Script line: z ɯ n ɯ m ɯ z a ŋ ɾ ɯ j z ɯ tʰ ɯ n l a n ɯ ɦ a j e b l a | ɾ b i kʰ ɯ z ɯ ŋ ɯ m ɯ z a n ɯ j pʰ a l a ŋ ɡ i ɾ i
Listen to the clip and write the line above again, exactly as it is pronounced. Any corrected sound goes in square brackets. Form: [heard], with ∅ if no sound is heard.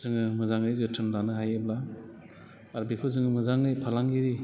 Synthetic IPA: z ɯ [ŋ] ɯ m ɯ z a ŋ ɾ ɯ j z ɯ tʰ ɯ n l a n ɯ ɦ a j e b l a | ɾ b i kʰ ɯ z ɯ ŋ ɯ m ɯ z a [ŋ] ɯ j pʰ a l a ŋ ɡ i ɾ i